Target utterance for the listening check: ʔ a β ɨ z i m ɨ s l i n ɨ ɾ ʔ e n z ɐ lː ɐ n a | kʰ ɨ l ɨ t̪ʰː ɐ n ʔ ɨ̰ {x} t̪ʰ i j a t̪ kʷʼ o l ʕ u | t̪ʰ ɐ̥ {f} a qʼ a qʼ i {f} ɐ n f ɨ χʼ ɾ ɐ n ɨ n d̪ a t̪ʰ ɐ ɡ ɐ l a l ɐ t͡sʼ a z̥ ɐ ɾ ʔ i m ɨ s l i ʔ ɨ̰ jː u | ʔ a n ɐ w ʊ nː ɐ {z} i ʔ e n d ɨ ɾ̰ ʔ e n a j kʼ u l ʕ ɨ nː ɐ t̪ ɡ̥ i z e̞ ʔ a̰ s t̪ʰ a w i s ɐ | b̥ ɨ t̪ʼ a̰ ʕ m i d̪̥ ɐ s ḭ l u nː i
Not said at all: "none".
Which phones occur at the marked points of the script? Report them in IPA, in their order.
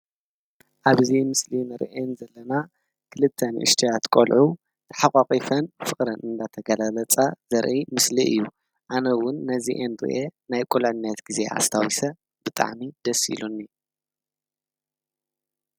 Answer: ʃ, ħ, f, z

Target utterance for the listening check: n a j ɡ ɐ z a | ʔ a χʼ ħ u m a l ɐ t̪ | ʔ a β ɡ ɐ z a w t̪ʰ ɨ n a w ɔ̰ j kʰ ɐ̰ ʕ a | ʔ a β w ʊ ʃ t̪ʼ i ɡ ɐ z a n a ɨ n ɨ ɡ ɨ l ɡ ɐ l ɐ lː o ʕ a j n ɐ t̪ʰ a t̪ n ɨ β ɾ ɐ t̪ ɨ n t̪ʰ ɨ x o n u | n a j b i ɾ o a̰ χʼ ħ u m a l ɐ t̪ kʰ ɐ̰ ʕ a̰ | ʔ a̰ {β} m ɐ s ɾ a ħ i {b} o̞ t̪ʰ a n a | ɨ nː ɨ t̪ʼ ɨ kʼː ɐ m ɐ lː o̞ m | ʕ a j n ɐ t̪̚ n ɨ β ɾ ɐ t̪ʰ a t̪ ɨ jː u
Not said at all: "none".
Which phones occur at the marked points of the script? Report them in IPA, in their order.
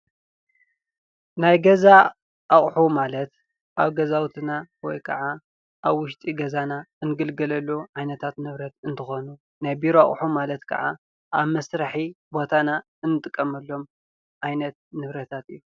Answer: β, b

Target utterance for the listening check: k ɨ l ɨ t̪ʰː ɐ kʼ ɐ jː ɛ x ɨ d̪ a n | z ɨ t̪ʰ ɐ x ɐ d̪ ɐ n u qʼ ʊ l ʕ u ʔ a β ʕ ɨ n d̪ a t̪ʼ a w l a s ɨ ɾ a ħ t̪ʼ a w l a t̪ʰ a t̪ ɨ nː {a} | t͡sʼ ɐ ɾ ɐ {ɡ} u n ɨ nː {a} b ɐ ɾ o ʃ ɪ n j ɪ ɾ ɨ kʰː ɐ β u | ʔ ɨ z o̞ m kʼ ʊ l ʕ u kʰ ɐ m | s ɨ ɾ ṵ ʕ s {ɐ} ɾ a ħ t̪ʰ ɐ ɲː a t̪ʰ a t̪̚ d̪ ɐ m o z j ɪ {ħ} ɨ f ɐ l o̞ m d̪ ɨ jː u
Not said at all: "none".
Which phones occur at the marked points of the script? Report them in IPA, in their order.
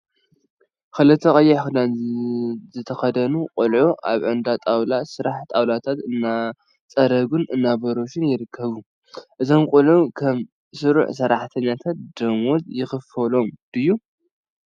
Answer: a, ɡ, a, ɐ, x

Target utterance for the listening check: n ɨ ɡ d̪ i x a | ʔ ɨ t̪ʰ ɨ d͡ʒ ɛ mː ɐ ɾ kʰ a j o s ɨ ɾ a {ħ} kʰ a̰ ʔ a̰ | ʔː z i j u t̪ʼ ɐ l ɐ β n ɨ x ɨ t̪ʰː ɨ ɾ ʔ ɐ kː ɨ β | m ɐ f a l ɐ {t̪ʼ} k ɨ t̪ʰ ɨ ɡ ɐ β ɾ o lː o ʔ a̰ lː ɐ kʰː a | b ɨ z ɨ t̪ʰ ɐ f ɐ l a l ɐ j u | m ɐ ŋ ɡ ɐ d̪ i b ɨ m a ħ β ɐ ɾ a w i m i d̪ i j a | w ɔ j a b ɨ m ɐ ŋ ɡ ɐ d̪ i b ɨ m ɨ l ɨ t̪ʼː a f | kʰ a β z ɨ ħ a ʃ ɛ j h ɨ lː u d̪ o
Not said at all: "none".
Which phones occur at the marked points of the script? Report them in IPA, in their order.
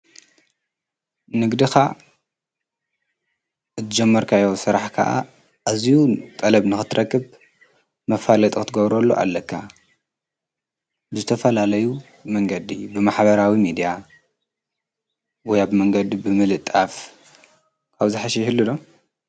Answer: ħ, t̪ʼ

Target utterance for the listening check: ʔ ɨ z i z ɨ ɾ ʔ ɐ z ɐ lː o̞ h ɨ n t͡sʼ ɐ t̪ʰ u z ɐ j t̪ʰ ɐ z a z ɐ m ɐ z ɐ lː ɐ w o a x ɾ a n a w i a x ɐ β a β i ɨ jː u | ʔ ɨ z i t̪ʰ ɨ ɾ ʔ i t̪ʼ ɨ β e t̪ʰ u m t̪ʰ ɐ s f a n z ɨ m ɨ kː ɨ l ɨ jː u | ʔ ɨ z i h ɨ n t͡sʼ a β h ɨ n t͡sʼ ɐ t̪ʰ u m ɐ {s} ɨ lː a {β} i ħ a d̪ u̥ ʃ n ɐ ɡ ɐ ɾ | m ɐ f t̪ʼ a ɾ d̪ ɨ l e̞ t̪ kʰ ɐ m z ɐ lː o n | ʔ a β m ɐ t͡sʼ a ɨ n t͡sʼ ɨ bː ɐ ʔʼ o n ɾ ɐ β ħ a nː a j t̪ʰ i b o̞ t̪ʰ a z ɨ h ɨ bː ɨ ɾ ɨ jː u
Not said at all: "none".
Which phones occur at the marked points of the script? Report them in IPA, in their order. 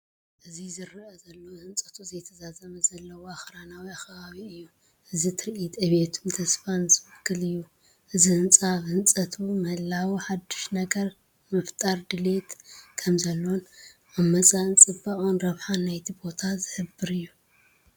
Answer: h, w

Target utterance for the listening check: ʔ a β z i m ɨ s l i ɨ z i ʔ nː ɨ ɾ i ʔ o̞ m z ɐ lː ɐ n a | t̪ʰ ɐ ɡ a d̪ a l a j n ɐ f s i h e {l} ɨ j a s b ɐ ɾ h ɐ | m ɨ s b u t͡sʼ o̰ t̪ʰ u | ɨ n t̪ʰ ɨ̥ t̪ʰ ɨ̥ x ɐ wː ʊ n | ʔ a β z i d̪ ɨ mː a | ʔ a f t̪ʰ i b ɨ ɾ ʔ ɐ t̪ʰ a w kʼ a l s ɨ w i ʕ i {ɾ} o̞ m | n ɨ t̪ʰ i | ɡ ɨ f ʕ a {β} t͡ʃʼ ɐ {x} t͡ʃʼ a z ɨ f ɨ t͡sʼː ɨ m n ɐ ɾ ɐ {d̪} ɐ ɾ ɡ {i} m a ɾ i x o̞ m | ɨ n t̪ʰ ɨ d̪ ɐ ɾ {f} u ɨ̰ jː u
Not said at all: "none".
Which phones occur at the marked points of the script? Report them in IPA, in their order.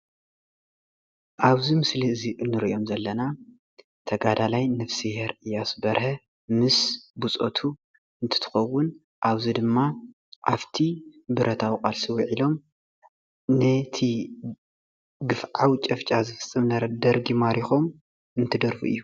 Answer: ɾ, l, w, f, d̪, i, f

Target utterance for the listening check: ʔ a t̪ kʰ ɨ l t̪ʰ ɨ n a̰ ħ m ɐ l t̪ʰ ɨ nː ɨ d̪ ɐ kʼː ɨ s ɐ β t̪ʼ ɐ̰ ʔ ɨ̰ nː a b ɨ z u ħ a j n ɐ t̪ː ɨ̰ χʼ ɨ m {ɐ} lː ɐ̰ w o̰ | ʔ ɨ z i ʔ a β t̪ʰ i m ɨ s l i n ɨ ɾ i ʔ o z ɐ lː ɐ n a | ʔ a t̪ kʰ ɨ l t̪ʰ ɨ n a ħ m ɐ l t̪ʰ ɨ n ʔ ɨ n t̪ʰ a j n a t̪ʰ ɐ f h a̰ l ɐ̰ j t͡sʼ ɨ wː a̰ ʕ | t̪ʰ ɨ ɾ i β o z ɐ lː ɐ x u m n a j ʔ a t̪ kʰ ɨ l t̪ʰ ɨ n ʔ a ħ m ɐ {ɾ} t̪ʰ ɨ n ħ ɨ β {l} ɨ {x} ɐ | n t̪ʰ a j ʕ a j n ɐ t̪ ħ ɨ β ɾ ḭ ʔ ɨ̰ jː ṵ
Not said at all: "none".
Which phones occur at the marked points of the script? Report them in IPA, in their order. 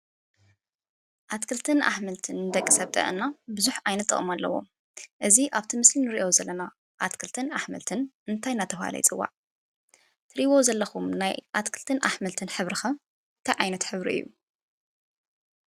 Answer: a, l, ɾ, x

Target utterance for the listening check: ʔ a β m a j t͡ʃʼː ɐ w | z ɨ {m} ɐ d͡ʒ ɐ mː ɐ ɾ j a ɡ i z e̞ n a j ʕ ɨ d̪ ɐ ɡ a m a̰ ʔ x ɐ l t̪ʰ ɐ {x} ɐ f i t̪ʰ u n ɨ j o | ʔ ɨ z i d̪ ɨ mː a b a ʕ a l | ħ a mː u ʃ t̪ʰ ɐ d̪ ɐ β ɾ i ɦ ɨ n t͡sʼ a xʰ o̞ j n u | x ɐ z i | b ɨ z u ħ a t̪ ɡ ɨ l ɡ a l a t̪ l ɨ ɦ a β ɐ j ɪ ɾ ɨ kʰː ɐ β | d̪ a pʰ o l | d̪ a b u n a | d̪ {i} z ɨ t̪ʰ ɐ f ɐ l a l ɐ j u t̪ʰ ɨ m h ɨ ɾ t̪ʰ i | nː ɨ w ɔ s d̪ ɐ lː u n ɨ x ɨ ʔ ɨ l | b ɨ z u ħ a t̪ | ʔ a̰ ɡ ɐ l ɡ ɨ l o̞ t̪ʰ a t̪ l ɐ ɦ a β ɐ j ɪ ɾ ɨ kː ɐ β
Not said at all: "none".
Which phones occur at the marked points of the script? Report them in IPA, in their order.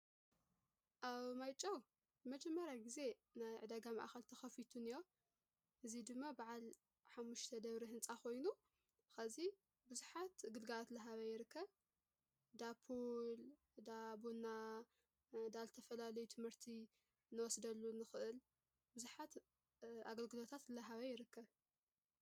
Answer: m, x, a

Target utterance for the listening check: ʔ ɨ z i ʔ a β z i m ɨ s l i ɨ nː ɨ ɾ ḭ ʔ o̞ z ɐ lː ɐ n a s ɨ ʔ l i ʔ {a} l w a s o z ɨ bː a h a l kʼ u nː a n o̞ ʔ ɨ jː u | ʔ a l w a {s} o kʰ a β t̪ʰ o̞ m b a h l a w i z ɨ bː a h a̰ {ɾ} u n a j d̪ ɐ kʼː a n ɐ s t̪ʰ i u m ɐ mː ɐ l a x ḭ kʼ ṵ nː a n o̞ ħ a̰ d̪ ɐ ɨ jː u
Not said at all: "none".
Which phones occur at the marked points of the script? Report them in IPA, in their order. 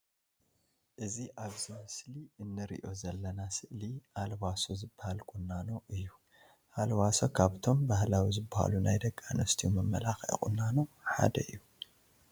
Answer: a, s, l

